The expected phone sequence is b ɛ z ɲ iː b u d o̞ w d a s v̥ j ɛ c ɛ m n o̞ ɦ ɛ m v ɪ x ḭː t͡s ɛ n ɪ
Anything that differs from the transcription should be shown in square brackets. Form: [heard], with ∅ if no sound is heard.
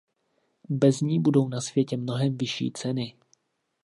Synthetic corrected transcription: b ɛ z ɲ iː b u d o̞ w [n] a s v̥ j ɛ c ɛ m n o̞ ɦ ɛ m v ɪ [ʃ] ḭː t͡s ɛ n ɪ